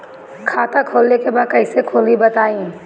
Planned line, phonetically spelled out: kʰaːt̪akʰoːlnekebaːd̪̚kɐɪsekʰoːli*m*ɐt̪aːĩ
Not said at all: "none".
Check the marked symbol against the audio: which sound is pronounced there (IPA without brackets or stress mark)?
b